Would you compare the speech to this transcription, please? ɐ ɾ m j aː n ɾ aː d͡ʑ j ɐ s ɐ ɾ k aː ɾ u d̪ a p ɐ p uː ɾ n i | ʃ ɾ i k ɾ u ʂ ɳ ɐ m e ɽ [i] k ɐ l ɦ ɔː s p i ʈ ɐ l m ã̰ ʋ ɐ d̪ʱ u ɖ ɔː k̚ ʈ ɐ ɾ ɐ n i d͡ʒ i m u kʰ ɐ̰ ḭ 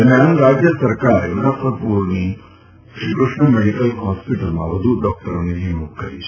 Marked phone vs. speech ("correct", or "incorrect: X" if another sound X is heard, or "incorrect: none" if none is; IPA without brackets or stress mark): correct